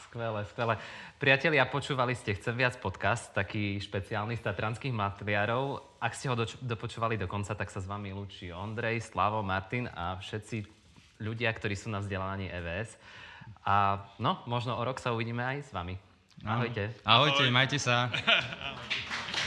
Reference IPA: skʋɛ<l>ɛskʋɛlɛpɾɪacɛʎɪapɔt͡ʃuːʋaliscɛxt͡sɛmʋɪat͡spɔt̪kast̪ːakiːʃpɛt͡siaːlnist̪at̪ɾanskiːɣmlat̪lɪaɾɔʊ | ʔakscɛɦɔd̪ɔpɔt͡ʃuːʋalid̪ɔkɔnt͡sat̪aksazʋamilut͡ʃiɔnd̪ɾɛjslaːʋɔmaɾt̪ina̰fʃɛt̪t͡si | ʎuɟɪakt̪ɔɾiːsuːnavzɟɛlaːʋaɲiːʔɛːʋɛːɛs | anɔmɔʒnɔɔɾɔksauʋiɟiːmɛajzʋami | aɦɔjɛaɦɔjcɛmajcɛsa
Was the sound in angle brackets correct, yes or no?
yes